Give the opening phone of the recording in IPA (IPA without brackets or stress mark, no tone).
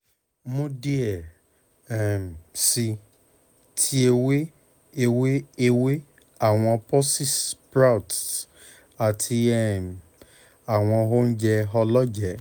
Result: m